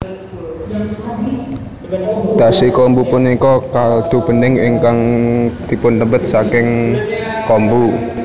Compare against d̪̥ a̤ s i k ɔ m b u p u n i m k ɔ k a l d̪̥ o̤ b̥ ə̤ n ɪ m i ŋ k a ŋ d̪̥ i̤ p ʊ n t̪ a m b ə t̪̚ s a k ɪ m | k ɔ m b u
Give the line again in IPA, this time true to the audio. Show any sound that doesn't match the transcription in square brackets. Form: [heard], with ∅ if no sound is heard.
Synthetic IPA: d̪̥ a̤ s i k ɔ m b u p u n i [∅] k ɔ k a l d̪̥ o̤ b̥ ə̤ n ɪ [ŋ] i ŋ k a ŋ d̪̥ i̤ p ʊ n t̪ [ə] m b ə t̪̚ s a k ɪ [ŋ] | k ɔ m b u